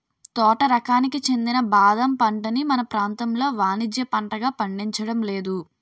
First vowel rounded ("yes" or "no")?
yes